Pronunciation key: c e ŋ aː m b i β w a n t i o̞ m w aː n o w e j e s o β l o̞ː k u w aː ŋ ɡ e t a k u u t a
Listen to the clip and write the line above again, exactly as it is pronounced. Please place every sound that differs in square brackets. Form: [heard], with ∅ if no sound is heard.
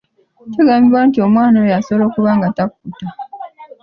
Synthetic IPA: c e [ɡ] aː m b i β w a n t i o̞ m w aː n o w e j [a] s o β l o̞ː k u [β] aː ŋ ɡ [a] t a k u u t a